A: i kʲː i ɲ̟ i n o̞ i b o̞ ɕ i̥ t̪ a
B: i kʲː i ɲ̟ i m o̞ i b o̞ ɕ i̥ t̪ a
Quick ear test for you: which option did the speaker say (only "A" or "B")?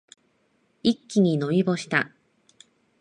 A